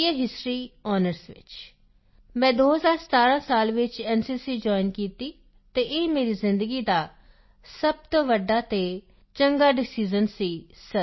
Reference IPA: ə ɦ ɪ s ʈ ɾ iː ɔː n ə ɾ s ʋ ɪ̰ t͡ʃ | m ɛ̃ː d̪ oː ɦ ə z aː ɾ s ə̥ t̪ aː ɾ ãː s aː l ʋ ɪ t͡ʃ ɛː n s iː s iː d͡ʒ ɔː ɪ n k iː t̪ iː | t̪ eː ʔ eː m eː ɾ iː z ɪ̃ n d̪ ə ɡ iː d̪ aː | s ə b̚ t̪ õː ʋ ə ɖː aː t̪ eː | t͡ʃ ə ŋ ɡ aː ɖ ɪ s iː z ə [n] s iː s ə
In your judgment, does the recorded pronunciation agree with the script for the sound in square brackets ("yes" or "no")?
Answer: yes